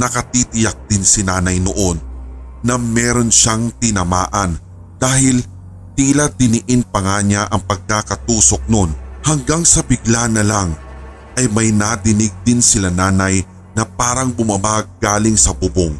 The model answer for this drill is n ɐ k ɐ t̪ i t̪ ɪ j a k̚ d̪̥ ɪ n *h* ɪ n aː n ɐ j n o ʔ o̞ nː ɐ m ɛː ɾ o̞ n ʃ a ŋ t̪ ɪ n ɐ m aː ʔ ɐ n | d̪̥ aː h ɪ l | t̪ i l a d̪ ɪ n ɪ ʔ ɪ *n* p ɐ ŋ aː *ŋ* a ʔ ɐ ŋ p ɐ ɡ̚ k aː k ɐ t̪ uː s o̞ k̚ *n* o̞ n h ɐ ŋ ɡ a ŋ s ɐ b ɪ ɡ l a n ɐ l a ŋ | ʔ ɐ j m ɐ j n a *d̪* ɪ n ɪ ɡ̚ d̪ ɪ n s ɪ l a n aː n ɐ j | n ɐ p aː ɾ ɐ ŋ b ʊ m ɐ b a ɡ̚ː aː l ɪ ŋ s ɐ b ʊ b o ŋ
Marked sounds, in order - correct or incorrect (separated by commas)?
incorrect, correct, incorrect, correct, correct